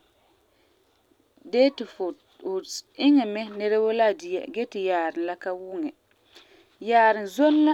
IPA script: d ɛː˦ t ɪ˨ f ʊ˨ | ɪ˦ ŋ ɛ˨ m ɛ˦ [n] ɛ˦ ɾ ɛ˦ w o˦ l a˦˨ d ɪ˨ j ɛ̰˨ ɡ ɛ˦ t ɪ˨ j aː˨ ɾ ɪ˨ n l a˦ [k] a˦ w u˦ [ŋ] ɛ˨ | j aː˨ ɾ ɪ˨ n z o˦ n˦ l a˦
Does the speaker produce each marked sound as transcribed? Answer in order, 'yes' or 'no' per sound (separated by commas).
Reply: yes, yes, yes